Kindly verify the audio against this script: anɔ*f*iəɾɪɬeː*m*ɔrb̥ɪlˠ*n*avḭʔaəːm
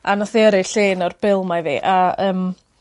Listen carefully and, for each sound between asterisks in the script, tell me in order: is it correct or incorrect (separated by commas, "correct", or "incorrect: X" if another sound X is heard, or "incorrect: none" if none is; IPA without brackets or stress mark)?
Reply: incorrect: θ, incorrect: n, incorrect: m